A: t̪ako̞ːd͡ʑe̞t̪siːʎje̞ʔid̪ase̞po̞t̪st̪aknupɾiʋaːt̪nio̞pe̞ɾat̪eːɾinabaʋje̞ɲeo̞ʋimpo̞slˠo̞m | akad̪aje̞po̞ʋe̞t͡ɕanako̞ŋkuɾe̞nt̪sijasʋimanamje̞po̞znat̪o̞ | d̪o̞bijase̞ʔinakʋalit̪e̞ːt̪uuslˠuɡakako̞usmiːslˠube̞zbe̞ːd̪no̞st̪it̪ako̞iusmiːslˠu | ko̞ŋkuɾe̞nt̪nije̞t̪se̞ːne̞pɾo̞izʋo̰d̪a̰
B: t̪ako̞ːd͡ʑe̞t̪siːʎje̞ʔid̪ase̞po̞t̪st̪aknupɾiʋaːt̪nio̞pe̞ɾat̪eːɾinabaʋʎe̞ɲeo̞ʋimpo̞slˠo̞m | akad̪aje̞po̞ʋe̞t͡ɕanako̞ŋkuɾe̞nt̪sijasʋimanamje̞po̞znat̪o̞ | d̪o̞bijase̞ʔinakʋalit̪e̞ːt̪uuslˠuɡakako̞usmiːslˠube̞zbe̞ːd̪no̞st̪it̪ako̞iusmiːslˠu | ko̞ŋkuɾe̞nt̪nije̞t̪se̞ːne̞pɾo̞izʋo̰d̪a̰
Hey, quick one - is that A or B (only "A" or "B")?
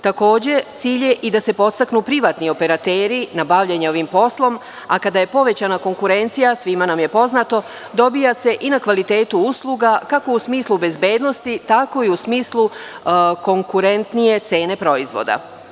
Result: B